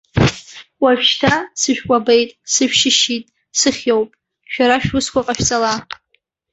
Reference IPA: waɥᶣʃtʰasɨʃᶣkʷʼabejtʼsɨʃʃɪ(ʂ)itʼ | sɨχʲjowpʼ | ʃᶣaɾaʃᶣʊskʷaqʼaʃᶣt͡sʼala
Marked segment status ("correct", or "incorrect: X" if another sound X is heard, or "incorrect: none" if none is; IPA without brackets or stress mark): incorrect: ʃ